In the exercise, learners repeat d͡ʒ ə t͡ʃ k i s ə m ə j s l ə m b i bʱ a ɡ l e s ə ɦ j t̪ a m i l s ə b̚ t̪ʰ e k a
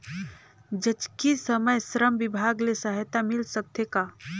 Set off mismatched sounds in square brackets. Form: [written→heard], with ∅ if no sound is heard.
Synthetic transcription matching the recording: d͡ʒ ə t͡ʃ k i s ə m ə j s [l→ɾ] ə m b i bʱ a ɡ l e s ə ɦ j t̪ a m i l s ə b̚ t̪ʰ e k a